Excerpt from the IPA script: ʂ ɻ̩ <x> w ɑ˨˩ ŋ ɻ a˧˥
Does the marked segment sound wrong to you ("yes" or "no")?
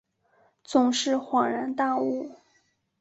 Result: no